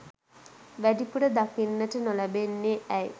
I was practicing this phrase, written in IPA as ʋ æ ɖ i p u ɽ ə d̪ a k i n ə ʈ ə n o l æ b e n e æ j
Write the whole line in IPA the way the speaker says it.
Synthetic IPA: ʋ æ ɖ i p u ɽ ə d̪ a k i nː ə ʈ ə n o l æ b e nː e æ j